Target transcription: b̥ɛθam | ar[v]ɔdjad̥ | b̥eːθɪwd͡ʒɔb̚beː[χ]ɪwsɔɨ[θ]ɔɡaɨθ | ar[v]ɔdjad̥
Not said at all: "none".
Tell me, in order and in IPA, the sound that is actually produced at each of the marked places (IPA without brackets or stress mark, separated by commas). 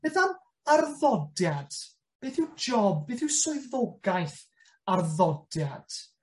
ð, θ, ð, ð